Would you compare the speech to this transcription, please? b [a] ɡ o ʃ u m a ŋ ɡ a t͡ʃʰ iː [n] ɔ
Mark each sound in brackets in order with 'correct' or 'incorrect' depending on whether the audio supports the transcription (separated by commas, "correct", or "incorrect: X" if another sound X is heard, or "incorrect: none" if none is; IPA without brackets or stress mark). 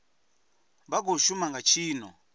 correct, correct